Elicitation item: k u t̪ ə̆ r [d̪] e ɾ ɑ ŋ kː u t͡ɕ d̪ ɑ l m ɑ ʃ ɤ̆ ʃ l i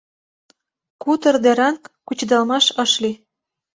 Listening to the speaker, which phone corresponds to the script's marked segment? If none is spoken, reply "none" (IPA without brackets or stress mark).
d̪